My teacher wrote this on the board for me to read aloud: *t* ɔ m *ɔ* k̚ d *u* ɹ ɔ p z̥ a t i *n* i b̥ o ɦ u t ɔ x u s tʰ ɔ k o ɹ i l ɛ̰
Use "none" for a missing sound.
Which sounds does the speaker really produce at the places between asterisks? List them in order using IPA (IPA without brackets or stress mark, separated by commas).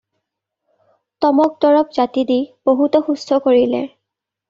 t, ɔ, ɔ, d